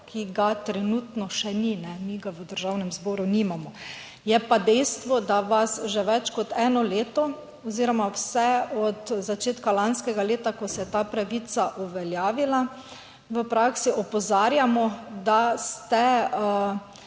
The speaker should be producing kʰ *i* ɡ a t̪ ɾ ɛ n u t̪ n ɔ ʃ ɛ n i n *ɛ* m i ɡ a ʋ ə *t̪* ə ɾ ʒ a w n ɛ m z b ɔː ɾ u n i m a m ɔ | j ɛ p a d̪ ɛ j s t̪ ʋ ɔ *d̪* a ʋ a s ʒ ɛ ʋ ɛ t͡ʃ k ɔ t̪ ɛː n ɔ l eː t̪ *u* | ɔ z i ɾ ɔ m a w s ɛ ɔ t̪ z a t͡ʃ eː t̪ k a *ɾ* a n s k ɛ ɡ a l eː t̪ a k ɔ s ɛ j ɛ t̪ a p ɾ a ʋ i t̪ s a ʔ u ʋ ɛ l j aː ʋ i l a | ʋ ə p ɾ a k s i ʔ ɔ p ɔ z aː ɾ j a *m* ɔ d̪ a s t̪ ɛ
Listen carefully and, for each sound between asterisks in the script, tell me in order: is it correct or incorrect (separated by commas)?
correct, correct, incorrect, correct, incorrect, incorrect, correct